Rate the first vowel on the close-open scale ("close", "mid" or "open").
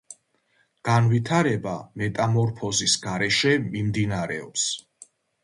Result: open